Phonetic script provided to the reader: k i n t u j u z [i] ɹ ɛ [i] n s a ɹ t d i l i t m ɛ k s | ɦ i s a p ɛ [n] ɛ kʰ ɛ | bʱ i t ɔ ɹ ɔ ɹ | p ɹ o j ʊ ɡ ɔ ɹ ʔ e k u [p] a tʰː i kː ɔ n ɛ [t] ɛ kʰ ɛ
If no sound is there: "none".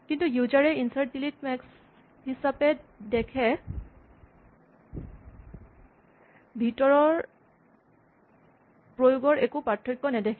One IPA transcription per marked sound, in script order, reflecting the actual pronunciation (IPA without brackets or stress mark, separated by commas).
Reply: a, i, d, p, d